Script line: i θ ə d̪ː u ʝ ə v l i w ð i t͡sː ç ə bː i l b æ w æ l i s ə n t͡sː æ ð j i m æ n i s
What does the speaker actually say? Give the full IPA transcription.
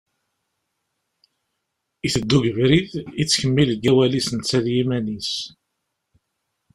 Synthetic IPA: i θ ə d̪ː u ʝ ə v ɾ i ð i t͡sː ç ə mː i l ɡ æ w æ l i s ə n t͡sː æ ð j i m æ n i s